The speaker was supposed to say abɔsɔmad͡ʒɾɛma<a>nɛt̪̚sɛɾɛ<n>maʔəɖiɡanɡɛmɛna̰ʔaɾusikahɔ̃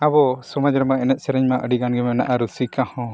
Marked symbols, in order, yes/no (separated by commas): no, no